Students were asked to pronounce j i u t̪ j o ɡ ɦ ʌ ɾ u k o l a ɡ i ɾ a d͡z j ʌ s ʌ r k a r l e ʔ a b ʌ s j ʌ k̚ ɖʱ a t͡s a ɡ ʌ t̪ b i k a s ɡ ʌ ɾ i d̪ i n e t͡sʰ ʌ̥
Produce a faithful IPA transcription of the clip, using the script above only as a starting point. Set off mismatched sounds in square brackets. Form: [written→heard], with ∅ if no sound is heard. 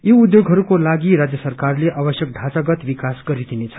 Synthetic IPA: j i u [t̪→d̪] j o ɡ ɦ ʌ ɾ u k o l a ɡ i ɾ a d͡z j ʌ s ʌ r k a r l e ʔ a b ʌ s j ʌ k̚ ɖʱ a t͡s a ɡ ʌ t̪ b i k a s ɡ ʌ ɾ i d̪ i n e t͡sʰ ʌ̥